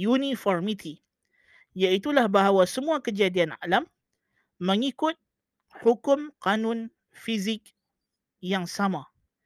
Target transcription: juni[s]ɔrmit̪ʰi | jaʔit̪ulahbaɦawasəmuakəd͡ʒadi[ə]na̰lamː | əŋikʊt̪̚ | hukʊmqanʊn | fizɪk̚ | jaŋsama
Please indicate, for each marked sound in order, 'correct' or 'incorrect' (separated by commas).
incorrect, incorrect